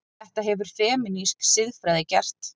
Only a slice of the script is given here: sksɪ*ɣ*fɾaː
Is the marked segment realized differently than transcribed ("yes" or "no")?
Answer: yes